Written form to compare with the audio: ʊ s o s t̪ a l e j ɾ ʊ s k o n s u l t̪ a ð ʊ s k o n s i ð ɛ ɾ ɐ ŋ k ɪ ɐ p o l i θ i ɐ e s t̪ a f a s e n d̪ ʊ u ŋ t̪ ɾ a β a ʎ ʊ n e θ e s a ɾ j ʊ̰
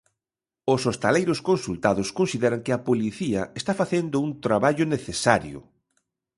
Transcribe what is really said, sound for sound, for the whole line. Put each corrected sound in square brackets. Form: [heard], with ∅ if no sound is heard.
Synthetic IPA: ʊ s o s t̪ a l e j ɾ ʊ s k o n s u l t̪ a ð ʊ s k o n s i ð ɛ ɾ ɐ ŋ k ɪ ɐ p o l i θ i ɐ e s t̪ a f a [θ] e n d̪ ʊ u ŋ t̪ ɾ a β a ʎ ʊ n e θ e s a ɾ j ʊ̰